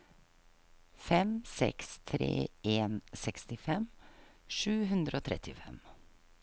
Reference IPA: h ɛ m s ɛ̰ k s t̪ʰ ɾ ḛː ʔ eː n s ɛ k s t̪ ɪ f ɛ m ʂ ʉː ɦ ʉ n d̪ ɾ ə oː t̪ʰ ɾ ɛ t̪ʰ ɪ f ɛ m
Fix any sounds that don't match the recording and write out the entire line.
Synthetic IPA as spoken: f ɛ m s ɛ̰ k s t̪ʰ ɾ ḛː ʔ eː n s ɛ k s t̪ ɪ f ɛ m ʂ ʉː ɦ ʉ n d̪ ɾ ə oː t̪ʰ ɾ ɛ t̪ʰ ɪ f ɛ m